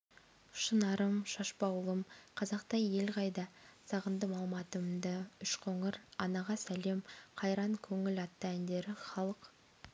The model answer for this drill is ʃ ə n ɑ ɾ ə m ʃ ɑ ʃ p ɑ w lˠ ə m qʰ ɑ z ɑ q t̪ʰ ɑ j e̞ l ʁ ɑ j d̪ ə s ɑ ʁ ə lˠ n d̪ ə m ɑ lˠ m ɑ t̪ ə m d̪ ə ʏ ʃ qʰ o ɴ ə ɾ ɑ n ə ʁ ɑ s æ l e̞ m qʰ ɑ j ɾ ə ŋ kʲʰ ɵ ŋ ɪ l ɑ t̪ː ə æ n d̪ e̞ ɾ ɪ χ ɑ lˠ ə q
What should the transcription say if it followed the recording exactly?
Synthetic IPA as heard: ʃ ə n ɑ ɾ ə m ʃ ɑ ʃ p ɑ w lˠ ə m qʰ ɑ z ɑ q t̪ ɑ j e̞ l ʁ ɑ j d̪ ɑ s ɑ ʁ ə n d̪ ə m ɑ lˠ m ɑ t̪ ə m d̪ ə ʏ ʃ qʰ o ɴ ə ɾ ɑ n ɑ ʁ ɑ s æ l e̞ m qʰ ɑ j ɾ ɑ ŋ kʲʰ ɵ ŋ ɪ l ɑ t̪ː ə æ n d̪ e̞ ɾ ɪ χ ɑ lˠ ə q